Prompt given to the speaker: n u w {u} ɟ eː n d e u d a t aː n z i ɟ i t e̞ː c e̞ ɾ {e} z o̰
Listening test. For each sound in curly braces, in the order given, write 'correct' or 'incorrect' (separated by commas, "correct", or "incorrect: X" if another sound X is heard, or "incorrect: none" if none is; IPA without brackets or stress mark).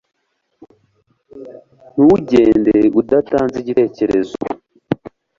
correct, correct